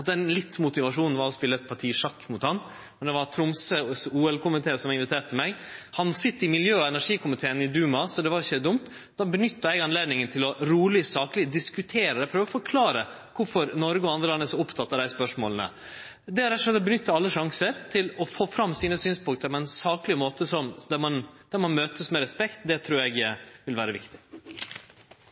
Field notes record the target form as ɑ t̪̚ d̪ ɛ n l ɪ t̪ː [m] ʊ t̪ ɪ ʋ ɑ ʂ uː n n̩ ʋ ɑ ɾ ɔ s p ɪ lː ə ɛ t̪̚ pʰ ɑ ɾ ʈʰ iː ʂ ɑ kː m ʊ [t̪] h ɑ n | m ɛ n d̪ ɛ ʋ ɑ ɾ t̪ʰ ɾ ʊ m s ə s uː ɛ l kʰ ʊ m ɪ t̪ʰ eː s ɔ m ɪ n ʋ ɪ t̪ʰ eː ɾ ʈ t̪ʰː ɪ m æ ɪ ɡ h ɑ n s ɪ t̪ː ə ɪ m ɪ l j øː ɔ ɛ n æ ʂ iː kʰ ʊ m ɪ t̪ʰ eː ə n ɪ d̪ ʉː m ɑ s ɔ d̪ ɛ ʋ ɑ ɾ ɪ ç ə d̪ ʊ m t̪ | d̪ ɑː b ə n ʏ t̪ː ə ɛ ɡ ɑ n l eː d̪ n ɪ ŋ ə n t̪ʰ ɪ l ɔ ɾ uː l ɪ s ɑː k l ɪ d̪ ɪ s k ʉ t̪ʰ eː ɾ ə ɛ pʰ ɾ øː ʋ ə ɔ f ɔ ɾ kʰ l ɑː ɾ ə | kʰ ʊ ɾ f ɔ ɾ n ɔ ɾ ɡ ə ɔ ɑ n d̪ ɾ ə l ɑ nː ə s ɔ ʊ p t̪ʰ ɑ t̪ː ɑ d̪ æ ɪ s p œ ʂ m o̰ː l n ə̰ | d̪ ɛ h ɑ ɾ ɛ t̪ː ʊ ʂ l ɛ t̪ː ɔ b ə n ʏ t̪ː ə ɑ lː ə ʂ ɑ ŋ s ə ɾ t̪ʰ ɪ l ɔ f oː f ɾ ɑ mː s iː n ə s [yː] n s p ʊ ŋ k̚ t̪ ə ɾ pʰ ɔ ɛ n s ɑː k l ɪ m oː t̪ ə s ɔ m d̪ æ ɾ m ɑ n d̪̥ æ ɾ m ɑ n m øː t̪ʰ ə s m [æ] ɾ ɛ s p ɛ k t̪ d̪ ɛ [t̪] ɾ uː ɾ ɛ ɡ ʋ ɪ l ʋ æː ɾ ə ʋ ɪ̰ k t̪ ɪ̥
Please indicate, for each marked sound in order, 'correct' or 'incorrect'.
correct, correct, correct, incorrect: ɛ, incorrect: t̪ʰ

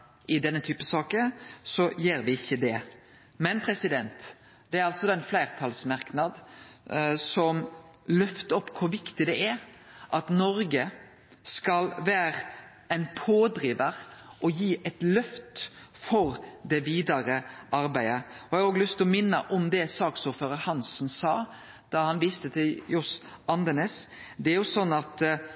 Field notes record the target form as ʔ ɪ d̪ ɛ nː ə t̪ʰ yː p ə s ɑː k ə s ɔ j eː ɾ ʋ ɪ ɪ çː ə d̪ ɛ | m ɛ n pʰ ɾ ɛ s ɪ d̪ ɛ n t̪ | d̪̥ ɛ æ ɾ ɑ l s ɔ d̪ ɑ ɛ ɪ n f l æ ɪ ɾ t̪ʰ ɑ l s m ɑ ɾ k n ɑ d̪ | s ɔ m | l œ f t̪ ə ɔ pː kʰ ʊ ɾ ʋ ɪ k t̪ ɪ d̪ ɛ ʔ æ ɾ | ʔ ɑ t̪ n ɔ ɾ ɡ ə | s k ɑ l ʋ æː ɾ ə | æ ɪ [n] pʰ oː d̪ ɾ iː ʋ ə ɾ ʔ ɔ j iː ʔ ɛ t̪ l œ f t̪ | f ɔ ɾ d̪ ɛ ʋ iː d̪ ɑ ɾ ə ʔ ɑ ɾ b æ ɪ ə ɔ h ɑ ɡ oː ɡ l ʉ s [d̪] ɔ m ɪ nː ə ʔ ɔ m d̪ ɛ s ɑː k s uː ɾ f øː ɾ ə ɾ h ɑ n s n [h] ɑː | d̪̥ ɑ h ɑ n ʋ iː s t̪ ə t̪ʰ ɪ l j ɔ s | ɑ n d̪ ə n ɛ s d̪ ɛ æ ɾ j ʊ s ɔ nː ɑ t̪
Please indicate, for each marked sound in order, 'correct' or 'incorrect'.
correct, incorrect: t̪, incorrect: s

